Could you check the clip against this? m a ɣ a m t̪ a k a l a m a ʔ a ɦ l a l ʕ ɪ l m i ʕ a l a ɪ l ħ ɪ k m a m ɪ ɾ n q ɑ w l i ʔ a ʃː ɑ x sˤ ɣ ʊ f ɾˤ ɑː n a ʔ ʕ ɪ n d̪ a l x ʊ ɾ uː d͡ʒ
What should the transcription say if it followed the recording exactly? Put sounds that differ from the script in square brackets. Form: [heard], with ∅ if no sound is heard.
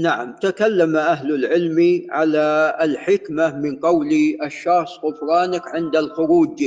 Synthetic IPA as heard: [n] a [ʕ] a m t̪ a k a [lː] a m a ʔ a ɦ l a l ʕ ɪ l m i ʕ a l a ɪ l ħ ɪ k m a m ɪ [∅] n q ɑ w l i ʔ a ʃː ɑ x sˤ ɣ ʊ f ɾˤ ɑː n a [k] ʕ ɪ n d̪ a l x ʊ ɾ uː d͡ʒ